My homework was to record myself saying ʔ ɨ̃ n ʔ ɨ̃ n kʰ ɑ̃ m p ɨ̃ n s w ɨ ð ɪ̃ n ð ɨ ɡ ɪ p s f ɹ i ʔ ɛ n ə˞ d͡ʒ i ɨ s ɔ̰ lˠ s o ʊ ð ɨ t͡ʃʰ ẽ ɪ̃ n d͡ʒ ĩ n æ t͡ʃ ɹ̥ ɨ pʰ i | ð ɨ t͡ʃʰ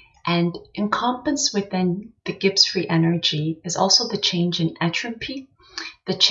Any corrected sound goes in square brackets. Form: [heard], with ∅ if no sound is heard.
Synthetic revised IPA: ʔ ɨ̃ n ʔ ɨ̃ n kʰ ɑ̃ m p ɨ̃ n s w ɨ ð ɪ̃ n ð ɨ ɡ ɪ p s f ɹ i ʔ ɛ n ə˞ d͡ʒ i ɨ [z] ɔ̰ lˠ s o ʊ ð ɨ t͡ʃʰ ẽ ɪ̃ n d͡ʒ [ɨ̃] n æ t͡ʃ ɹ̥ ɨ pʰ i | ð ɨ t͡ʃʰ